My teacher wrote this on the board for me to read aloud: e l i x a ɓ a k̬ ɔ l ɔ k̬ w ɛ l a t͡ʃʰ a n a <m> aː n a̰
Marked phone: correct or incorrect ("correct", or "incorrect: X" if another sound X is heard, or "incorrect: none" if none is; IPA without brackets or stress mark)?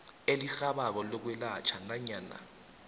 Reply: incorrect: ɲ